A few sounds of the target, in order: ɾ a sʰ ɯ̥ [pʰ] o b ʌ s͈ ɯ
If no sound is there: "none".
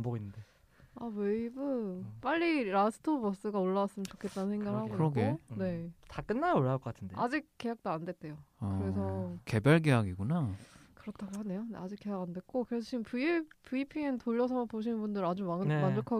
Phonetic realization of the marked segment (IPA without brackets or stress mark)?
tʰ